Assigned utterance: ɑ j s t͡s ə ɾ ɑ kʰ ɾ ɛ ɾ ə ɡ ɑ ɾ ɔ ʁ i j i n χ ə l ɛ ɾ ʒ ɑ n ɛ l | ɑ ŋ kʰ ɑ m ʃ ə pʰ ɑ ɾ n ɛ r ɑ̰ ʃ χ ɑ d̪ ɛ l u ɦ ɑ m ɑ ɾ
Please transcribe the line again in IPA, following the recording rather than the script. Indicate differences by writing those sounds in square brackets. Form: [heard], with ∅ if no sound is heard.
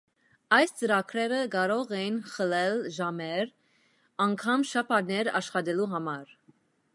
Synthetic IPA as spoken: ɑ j s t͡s ə ɾ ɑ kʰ ɾ ɛ ɾ ə ɡ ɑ ɾ ɔ ʁ [ɛ] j i n χ ə l ɛ [l] ʒ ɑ [m] ɛ [ɾ] | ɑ ŋ kʰ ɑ m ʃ [ɑ] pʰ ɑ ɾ n ɛ [ɾ] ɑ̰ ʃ χ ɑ d̪ ɛ l u ɦ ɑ m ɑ ɾ